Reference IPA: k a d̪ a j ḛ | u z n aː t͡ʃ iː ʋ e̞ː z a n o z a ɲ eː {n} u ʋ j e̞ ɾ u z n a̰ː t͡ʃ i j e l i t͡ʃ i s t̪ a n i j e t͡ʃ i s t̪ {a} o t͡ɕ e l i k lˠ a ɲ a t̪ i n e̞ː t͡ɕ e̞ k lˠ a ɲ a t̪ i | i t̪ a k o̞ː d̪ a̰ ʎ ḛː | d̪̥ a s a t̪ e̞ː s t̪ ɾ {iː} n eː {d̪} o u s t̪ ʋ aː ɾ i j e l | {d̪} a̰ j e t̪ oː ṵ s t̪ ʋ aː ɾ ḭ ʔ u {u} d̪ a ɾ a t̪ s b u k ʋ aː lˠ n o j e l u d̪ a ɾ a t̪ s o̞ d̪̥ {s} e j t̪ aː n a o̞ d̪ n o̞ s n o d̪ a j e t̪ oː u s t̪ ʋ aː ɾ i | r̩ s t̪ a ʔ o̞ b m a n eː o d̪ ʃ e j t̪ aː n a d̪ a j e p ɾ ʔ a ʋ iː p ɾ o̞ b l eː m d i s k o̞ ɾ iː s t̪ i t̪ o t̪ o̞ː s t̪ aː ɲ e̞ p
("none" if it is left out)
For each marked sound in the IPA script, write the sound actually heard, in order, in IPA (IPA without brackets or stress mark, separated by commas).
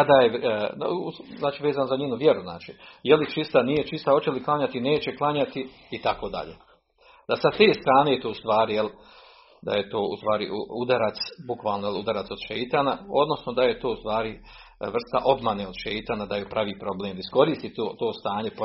n, a, aː, t̪, d̪, u, ʃ